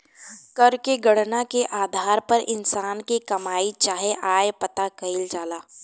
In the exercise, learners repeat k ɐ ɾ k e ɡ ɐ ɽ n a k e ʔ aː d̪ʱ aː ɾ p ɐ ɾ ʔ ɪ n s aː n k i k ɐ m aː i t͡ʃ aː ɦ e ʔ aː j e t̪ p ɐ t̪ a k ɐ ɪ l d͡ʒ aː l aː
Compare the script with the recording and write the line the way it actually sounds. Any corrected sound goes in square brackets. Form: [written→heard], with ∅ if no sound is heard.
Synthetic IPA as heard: k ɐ ɾ k e ɡ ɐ ɽ n a k e ʔ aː d̪ʱ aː ɾ p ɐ ɾ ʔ ɪ n s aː n k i k ɐ m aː i t͡ʃ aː ɦ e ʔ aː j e [t̪→∅] p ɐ t̪ a k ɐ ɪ l d͡ʒ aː l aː